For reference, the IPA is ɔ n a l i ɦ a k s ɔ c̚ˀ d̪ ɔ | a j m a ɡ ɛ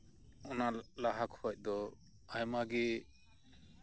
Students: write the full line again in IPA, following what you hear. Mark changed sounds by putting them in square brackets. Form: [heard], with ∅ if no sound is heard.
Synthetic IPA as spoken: ɔ n a l [a] ɦ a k [h] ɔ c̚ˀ d̪ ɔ | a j m a ɡ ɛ